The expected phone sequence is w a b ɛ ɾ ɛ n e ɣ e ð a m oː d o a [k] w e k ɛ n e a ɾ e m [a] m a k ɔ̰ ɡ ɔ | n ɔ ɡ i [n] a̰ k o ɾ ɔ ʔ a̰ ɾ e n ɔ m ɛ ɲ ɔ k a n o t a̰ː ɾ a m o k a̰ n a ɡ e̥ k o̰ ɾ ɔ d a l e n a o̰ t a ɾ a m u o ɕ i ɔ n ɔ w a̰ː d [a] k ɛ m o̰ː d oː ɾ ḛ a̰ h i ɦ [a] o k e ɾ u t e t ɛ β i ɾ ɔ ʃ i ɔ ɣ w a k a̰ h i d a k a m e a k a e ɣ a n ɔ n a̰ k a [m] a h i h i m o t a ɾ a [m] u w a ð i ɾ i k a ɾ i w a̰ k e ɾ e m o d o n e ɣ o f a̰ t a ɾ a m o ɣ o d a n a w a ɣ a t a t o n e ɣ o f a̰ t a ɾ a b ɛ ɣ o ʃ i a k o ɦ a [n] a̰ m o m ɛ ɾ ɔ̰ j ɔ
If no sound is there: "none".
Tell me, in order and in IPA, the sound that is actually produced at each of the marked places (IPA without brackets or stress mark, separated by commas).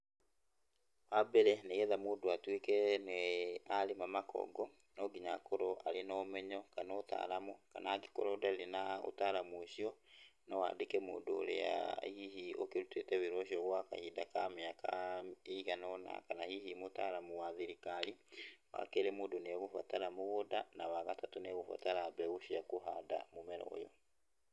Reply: t, a, ɲ, e, i, n, m, d